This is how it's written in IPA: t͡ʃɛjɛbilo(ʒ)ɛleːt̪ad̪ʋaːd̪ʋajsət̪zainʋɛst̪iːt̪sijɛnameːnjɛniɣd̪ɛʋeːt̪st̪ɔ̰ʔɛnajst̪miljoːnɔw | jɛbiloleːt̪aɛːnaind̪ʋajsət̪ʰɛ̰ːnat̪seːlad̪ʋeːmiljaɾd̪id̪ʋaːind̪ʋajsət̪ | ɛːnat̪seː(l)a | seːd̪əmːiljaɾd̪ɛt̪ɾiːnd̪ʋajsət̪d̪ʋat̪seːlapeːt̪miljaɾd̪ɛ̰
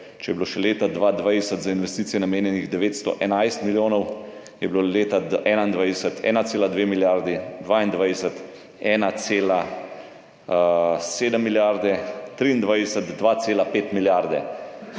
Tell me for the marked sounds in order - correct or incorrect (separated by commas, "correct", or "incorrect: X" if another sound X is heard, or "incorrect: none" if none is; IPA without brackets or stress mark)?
incorrect: ʃ, correct